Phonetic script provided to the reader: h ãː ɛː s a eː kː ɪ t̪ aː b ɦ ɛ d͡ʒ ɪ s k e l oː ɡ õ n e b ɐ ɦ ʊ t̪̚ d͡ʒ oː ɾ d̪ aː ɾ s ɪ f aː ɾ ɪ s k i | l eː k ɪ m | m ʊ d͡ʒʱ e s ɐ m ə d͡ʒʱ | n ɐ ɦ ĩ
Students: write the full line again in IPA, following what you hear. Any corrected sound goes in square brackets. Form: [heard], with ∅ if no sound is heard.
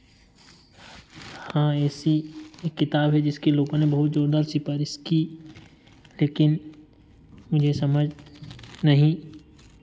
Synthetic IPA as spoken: h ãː ɛː s [i] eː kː ɪ t̪ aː b ɦ ɛ d͡ʒ ɪ s k e l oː ɡ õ n e b ɐ ɦ ʊ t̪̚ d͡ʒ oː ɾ d̪ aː ɾ s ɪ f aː ɾ ɪ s k i | l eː k ɪ [n] | m ʊ d͡ʒʱ e s ɐ m ə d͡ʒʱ | n ɐ ɦ ĩ